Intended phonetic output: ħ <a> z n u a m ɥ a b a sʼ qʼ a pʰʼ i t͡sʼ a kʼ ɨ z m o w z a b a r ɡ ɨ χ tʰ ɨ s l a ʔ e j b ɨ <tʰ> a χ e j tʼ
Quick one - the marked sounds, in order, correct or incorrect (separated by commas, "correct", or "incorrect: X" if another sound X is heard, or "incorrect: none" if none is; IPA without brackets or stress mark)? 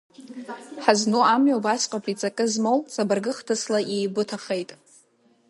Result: correct, correct